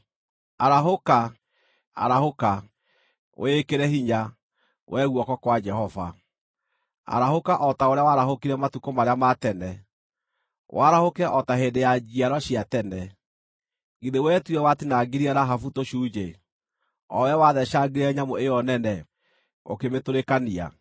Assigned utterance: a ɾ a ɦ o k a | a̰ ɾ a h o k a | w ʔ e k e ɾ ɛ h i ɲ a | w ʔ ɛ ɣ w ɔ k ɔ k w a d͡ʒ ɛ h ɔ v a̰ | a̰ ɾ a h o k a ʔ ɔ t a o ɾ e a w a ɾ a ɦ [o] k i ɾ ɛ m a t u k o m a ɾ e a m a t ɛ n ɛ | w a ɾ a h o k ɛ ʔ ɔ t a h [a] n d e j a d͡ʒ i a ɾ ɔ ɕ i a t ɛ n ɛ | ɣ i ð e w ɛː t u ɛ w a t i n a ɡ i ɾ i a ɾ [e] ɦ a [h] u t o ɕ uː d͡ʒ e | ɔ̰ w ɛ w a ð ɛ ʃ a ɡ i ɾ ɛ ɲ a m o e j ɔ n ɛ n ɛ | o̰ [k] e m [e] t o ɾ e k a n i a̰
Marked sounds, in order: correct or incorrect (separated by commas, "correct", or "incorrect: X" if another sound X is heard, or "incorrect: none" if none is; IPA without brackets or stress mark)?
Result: correct, incorrect: e, incorrect: a, incorrect: f, correct, correct